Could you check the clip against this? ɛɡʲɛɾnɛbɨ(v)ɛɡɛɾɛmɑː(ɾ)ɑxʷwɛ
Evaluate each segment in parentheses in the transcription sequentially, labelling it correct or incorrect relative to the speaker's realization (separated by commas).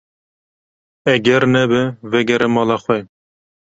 correct, incorrect